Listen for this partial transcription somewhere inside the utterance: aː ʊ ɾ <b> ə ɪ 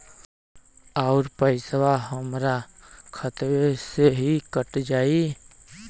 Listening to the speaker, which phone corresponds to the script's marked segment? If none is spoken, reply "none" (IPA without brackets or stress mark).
p